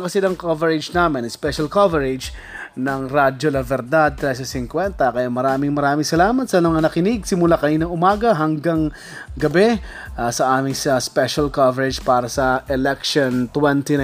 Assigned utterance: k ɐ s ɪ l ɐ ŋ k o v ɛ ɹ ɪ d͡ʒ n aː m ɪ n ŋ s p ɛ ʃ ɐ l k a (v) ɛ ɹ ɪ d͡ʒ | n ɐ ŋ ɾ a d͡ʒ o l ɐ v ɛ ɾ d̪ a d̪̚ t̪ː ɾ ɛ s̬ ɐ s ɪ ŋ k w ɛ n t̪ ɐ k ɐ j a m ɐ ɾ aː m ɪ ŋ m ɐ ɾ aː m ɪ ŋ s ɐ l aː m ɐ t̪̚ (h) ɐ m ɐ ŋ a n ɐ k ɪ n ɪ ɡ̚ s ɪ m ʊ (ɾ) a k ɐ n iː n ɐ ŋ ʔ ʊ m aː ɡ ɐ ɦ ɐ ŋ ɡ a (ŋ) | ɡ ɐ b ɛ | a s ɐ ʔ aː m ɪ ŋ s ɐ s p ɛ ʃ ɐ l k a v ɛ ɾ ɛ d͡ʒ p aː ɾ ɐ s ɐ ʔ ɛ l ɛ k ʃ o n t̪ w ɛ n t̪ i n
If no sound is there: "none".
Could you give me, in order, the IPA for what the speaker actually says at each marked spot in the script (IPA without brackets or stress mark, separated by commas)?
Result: v, s, l, ŋ